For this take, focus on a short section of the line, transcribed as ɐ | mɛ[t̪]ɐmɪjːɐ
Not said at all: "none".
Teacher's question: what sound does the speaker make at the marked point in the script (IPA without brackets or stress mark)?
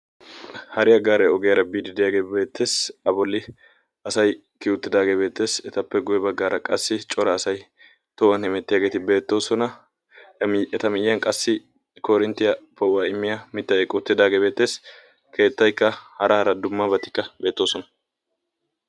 t̪